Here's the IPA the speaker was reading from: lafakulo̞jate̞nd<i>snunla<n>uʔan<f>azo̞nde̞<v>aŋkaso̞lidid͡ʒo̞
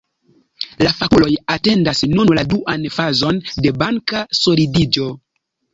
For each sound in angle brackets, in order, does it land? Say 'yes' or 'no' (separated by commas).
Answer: no, no, yes, no